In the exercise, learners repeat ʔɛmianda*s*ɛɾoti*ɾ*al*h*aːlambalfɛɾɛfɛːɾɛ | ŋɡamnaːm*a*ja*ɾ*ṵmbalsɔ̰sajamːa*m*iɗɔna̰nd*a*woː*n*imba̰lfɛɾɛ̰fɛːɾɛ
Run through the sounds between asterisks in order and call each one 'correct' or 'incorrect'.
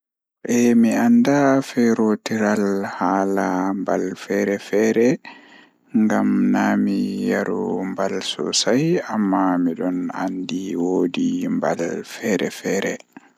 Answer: incorrect: f, correct, correct, incorrect: i, correct, correct, incorrect: i, incorrect: d

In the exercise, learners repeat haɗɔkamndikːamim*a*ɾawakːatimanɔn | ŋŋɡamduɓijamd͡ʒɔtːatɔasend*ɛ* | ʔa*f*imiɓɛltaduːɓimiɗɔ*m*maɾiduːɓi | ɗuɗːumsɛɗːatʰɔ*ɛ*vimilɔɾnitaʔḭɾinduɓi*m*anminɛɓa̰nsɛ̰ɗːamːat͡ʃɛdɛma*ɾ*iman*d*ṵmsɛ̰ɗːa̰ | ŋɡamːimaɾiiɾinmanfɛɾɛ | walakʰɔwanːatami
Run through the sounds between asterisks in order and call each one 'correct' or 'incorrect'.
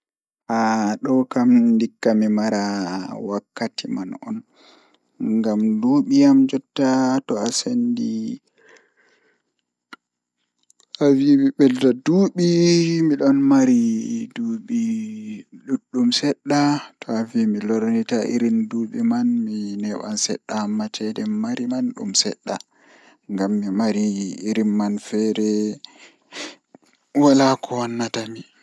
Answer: correct, incorrect: i, incorrect: v, incorrect: n, incorrect: a, correct, correct, incorrect: ɗ

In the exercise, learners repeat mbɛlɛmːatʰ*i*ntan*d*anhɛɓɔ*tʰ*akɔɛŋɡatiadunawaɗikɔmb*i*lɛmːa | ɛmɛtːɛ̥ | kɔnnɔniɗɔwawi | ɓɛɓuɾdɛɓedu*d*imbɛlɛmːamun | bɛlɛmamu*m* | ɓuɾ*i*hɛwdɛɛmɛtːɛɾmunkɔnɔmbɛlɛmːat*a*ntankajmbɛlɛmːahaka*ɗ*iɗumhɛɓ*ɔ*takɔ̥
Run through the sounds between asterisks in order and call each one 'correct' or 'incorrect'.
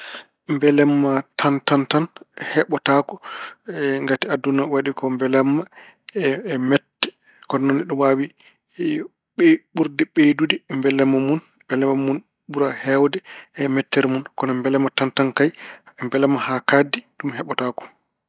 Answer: incorrect: a, incorrect: t, incorrect: t, incorrect: ɛ, correct, incorrect: n, incorrect: a, correct, incorrect: d, correct

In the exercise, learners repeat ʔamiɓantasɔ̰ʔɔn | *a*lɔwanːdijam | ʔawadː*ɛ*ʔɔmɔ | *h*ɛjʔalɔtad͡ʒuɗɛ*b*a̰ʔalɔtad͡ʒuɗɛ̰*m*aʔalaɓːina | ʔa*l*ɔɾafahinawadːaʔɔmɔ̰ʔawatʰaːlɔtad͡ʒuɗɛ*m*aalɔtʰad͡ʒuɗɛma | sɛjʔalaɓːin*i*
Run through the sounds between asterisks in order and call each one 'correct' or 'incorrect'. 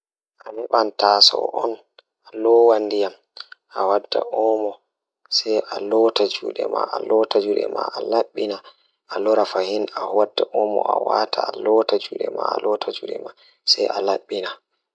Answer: correct, incorrect: a, incorrect: s, incorrect: m, correct, correct, correct, incorrect: a

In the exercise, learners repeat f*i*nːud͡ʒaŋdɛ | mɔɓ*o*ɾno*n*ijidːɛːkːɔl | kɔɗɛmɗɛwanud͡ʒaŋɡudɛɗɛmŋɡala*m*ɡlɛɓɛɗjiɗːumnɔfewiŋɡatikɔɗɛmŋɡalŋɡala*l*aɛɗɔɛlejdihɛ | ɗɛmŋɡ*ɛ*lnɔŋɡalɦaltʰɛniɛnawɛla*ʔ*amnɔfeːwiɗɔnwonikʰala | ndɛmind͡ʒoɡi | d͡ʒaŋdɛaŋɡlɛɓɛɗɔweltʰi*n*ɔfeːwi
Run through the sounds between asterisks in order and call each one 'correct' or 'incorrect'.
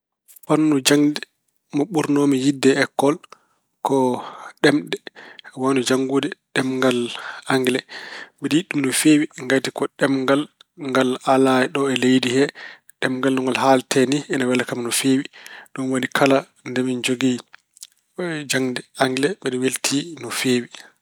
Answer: incorrect: a, incorrect: u, incorrect: m, incorrect: ŋ, correct, incorrect: a, incorrect: k, correct

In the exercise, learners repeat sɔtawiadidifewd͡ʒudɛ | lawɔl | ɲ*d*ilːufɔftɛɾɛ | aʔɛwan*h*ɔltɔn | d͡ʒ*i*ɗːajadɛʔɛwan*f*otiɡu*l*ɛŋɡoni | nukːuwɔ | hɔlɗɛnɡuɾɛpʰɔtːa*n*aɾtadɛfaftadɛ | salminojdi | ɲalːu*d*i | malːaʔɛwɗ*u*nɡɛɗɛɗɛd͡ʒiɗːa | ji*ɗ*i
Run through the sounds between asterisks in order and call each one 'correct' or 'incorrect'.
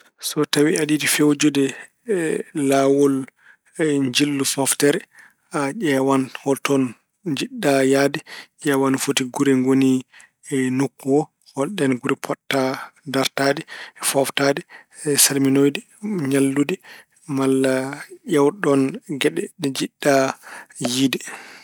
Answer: incorrect: d͡ʒ, correct, correct, correct, incorrect: ɾ, incorrect: d, correct, incorrect: ɔ, incorrect: d

